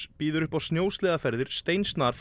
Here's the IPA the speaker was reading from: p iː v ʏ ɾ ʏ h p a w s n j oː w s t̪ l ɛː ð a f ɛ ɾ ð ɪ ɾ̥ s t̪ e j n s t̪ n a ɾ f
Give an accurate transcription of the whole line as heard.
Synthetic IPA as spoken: p iː ð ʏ ɾ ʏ h p a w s n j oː w s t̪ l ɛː ð a f ɛ ɾ ð ɪ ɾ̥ s t̪ e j n s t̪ n a ɾ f

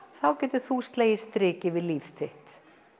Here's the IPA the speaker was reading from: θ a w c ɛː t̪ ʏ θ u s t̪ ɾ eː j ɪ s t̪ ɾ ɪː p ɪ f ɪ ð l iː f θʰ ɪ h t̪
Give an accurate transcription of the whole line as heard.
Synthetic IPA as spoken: θ a w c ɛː t̪ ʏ θ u s t̪ l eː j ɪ s t̪ ɾ ɪː c ɪ v ɪ ð l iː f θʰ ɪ h t̪

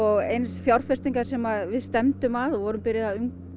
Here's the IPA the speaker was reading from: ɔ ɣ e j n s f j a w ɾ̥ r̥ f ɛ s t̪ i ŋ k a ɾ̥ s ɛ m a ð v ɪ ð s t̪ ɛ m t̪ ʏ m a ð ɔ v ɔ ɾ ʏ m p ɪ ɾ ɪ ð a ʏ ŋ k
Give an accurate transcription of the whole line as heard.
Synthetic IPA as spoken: ɔ ɣ e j n s f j a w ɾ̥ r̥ f ɛ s t̪ i ŋ k a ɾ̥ s ɛ m a ð v ɪ ð s t̪ ɛ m t̪ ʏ m a ð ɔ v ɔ ɾ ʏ m p ɪ ɾ ɪ ð a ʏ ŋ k

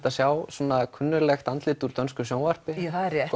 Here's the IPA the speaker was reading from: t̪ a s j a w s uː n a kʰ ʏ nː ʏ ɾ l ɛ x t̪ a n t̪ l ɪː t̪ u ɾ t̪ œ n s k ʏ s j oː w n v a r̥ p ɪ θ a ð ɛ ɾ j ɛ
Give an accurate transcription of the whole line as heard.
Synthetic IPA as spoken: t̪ a s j a w s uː n a kʰ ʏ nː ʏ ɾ l ɛ x t̪ a n t̪ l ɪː t̪ u ɾ t̪ œ n s k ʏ s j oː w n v a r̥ p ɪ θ a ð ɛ ɾ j ɛ

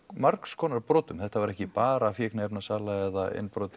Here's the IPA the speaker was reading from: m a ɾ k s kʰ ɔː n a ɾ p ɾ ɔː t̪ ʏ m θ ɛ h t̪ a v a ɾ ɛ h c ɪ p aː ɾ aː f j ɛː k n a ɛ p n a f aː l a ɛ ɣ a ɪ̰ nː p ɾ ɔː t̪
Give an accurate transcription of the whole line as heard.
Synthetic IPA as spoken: m a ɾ k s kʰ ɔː n a ɾ p ɾ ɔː t̪ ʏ m θ ɛ h t̪ a v a ɾ ɛ h c ɪ p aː ɾ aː f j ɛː k n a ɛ p n a s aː l a ɛ ð a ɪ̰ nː p ɾ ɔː t̪

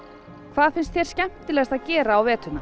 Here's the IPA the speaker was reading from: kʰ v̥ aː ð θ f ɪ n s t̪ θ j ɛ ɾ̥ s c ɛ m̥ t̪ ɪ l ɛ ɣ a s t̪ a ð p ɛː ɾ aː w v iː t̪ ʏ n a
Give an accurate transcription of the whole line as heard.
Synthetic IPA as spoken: kʰ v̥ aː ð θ f ɪ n s t̪ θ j ɛ ɾ̥ s c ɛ m̥ t̪ ɪ l ɛ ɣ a s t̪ a ð c ɛː ɾ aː w v ɛː t̪ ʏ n a

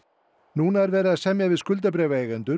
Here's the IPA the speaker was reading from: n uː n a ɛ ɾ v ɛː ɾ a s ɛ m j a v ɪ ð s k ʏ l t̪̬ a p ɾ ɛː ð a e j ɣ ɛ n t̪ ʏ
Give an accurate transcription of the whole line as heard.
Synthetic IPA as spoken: n uː n a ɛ ɾ v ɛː ɾ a s ɛ m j a v ɪ ð s k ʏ l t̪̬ a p ɾ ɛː v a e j ɣ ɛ n t̪ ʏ

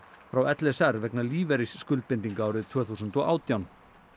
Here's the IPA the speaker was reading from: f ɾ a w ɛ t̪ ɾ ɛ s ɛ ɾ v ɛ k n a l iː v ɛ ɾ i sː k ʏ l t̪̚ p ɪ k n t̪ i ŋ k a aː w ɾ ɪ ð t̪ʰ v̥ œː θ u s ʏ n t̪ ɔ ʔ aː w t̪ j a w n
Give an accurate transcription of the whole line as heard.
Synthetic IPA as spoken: f ɾ a w ɛ t̪ l ɛ s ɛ ɾ v ɛ k n a l iː v ɛ ɾ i sː k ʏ l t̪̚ p ɪ n t̪ i ŋ k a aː w ɾ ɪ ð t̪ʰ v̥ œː θ u s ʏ n t̪ ɔ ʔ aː w t̪ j a w n

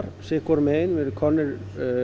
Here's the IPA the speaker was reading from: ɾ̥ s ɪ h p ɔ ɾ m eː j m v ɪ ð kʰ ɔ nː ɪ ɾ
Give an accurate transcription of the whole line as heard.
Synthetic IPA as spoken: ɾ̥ s ɪ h k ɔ ɾ m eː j n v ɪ ð kʰ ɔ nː ɪ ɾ

